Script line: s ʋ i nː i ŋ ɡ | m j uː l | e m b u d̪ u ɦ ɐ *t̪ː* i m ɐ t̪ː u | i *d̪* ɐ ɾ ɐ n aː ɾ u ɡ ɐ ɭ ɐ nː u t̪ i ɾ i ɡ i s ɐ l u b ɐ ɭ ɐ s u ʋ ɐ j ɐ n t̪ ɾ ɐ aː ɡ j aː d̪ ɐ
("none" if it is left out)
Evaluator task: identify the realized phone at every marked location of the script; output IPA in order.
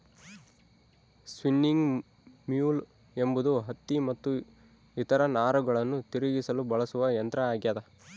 t̪ː, t̪

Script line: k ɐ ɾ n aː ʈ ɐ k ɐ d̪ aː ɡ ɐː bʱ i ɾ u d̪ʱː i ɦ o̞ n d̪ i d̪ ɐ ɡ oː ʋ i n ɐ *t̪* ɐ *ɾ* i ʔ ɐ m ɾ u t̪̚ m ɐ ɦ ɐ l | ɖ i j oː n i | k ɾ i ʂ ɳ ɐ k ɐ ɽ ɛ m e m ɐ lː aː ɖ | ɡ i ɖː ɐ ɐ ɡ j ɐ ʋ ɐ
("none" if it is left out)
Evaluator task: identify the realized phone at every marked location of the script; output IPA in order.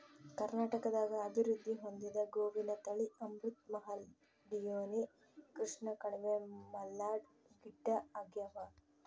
t̪, ɭ

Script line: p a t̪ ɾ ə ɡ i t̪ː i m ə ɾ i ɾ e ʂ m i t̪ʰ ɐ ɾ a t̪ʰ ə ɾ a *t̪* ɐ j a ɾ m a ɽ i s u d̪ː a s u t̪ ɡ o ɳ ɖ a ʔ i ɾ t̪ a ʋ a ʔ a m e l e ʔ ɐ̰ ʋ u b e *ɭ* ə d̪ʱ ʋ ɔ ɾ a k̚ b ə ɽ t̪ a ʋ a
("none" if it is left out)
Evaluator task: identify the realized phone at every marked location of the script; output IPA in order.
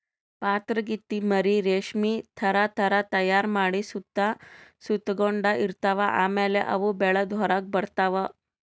t̪, ɭ

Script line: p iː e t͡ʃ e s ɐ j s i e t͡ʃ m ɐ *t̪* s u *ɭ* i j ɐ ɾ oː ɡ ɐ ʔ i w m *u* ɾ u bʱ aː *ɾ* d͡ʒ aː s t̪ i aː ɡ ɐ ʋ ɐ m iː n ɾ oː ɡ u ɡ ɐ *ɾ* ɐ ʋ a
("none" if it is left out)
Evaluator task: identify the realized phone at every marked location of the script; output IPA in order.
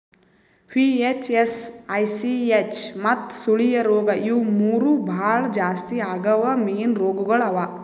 t̪, ɭ, uː, ɭ, ɭ

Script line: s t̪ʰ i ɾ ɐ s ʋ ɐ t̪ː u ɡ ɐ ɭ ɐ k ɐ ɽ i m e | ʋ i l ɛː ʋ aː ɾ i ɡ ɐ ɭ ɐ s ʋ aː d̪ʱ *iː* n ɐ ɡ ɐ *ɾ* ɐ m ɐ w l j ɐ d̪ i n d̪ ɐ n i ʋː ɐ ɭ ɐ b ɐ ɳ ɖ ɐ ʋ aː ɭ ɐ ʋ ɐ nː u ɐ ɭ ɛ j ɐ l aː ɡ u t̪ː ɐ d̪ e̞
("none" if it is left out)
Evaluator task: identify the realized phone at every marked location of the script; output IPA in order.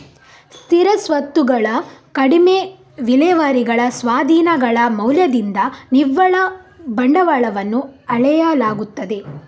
iː, ɭ

